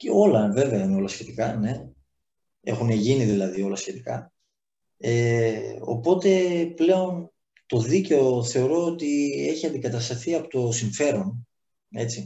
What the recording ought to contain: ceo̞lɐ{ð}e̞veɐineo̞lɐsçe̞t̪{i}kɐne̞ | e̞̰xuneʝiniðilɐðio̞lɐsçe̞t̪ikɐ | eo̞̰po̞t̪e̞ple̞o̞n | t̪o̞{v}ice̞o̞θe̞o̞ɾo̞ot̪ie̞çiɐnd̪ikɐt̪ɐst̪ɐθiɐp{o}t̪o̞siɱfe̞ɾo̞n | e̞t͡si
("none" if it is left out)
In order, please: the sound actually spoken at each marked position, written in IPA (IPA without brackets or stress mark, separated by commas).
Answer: v, i, ð, o